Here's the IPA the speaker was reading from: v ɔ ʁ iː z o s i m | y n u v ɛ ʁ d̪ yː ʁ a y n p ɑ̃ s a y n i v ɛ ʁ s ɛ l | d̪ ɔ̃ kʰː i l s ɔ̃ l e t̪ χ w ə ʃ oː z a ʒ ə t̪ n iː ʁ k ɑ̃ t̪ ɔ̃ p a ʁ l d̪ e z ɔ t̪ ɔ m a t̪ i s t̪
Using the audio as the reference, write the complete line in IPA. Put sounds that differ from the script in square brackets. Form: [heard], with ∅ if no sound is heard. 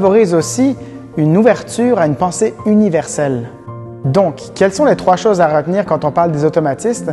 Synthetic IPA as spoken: v ɔ ʁ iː z o s i [∅] | y n u v ɛ ʁ [t̪] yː ʁ a y n p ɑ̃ s [e] y n i v ɛ ʁ s ɛ l | d̪ ɔ̃ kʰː [ɛ] l s ɔ̃ l e t̪ χ w [a] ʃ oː z a [ʁ] ə t̪ n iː ʁ k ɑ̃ t̪ ɔ̃ p a ʁ l d̪ e z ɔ t̪ ɔ m a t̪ i s t̪